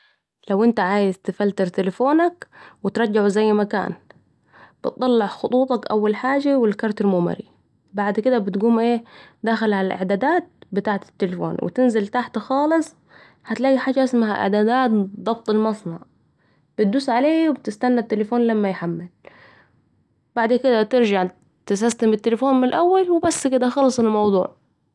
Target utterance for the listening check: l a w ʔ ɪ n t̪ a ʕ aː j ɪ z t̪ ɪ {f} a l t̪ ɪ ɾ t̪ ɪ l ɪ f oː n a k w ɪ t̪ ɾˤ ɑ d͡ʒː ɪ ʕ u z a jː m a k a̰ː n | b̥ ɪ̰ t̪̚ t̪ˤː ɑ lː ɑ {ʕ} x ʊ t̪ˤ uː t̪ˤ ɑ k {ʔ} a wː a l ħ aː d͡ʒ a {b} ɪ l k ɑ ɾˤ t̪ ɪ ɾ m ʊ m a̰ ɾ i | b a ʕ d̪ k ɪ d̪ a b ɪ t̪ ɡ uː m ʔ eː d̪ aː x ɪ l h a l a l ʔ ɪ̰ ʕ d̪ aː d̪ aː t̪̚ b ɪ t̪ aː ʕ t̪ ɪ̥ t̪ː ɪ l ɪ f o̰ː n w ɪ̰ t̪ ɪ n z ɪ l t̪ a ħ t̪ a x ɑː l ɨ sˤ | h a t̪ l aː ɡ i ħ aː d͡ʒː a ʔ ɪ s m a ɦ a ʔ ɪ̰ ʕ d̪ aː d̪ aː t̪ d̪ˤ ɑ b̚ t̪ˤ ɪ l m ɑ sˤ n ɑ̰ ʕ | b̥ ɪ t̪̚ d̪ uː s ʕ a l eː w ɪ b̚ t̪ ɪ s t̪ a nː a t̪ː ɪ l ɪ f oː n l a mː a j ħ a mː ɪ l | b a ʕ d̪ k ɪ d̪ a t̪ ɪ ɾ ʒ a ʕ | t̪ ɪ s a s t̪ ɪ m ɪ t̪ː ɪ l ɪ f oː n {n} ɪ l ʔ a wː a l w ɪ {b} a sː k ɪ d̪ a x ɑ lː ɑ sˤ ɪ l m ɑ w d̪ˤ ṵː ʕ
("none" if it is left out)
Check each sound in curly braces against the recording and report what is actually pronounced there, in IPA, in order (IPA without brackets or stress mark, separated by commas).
f, ʕ, ʔ, w, m, b